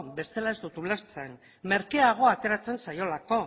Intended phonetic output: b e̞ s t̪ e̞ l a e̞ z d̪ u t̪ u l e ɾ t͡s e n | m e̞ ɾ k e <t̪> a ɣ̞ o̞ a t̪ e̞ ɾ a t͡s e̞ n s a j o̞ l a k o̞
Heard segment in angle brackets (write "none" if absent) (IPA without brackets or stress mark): none